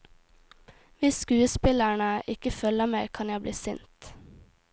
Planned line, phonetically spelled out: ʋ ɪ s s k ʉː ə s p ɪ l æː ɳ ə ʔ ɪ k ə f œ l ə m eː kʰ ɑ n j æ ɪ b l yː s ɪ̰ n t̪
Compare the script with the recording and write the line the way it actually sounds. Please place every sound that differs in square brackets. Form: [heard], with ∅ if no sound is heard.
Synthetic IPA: ʋ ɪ s s k ʉː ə s p ɪ l [æ] ɳ ə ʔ ɪ k ə f œ l ə m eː kʰ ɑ n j æ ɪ b l [iː] s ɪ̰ n t̪